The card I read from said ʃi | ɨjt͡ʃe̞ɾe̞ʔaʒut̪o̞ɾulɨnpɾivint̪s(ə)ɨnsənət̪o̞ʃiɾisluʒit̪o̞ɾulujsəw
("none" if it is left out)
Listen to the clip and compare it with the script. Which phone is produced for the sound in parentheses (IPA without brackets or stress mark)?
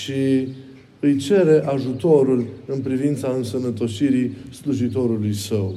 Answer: a